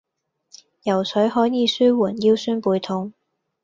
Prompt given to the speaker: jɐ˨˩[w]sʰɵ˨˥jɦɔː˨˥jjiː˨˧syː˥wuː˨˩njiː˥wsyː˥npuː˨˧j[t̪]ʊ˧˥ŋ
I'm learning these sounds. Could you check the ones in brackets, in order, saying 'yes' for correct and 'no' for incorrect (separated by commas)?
yes, no